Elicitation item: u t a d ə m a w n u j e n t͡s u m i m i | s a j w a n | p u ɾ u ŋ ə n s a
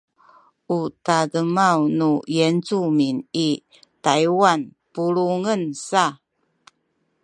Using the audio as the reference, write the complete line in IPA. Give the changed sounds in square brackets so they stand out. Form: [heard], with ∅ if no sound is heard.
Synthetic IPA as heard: u t a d ə m a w n u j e n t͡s u m i [n] i | [t] a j w a n | p u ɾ u ŋ ə n s a